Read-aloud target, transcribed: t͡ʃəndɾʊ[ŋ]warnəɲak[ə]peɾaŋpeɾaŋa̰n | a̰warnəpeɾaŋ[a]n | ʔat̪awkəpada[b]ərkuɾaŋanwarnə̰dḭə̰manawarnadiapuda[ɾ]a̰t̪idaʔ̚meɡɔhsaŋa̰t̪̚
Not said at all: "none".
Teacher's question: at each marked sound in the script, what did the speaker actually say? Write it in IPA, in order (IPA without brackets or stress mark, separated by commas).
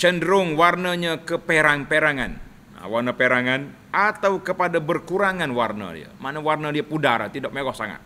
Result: ŋ, ə, a, b, ɾ